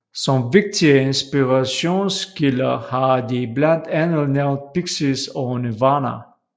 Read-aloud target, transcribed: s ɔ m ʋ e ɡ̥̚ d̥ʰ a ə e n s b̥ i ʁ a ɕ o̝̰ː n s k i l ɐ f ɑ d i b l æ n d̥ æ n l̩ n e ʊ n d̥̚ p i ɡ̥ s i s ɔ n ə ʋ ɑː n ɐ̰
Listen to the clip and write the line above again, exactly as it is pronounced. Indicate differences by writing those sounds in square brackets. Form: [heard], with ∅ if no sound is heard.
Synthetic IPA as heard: s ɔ m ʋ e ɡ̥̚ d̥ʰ [i] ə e n s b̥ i ʁ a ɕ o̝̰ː n s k i l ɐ [h] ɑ d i b l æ n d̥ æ n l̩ n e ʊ n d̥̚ p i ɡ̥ s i s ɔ n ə ʋ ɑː n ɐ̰

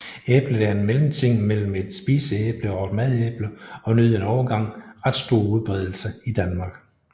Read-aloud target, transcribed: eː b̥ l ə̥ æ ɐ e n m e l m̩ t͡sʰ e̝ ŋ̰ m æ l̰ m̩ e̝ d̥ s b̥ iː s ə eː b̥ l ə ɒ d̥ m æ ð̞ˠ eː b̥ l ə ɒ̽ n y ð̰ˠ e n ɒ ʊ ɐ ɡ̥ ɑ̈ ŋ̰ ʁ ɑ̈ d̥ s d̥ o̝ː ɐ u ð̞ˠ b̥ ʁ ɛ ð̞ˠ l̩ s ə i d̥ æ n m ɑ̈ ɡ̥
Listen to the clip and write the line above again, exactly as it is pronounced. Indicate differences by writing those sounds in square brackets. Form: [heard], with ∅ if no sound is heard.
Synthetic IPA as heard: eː b̥ l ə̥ æ ɐ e n m e l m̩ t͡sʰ e̝ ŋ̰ m [e] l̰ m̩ e̝ d̥ s b̥ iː s ə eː b̥ l ə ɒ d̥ m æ ð̞ˠ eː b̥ l ə ɒ̽ n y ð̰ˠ e n ɒ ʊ ɐ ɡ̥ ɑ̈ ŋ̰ ʁ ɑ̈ d̥ s d̥ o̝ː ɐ u ð̞ˠ b̥ ʁ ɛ ð̞ˠ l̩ s ə i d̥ æ n m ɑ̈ ɡ̥

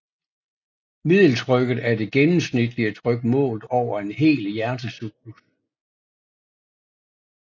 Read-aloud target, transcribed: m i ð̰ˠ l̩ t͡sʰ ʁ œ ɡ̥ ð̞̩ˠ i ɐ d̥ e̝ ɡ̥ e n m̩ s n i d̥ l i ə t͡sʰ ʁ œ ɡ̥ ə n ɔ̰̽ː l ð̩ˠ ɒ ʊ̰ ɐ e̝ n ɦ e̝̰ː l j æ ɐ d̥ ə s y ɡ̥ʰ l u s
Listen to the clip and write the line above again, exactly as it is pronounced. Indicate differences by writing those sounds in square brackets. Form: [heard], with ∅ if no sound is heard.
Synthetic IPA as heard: m i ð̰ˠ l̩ t͡sʰ ʁ œ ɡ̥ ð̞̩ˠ [æ] ɐ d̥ e̝ ɡ̥ e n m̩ s n i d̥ l i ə t͡sʰ ʁ œ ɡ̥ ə [m] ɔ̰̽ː l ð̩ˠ ɒ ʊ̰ ɐ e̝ n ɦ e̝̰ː l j æ ɐ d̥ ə s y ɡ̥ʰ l u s

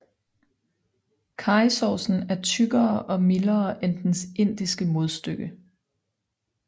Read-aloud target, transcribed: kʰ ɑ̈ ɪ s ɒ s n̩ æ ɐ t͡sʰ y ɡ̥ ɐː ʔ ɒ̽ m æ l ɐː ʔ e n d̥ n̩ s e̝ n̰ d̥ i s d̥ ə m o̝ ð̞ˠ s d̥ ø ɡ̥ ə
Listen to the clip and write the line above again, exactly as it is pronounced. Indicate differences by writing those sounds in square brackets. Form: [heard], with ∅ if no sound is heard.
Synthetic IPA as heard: kʰ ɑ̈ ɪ s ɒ s n̩ æ ɐ t͡sʰ y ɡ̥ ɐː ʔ ɒ̽ m [i] l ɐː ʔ e n d̥ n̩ s e̝ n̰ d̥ i s [ɡ̥] ə m o̝ ð̞ˠ s d̥ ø ɡ̥ ə

